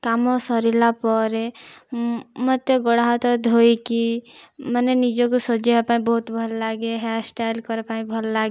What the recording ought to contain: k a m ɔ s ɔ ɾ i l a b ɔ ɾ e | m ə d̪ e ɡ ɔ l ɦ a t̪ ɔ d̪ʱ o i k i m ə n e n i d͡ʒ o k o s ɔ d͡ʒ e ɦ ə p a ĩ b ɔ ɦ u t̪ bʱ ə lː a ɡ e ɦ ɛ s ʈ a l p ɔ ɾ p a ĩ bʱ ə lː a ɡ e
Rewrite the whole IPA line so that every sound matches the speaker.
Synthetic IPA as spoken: k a m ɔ s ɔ ɾ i l a p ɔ ɾ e | m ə t̪ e ɡ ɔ ɽ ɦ a t̪ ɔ d̪ʱ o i k i m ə n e n i d͡ʒ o k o s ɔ d͡ʒ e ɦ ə p a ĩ b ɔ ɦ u t̪ bʱ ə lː a ɡ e ɦ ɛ s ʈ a l k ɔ ɾ p a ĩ bʱ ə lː a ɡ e